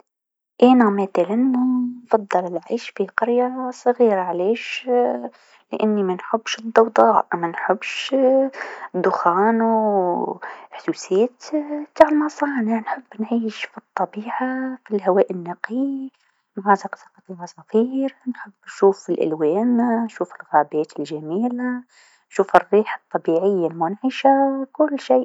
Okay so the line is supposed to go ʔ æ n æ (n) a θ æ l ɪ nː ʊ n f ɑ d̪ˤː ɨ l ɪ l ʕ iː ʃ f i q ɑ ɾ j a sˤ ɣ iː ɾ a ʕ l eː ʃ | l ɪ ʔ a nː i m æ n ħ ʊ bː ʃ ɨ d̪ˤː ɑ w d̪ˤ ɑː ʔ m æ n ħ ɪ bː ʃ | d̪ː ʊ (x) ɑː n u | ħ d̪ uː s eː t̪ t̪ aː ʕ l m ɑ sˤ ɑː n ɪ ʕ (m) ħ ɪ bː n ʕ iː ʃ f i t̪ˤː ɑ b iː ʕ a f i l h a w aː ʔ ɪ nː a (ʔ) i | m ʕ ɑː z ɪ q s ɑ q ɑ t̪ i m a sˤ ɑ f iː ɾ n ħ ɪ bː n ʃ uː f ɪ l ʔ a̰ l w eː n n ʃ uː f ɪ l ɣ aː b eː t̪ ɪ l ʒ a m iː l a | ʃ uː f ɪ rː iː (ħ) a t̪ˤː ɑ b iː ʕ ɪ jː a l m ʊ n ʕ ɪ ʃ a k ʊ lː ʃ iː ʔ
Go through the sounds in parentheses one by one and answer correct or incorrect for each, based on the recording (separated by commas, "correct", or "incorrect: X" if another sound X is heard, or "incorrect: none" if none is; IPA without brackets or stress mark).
incorrect: m, correct, incorrect: n, incorrect: q, correct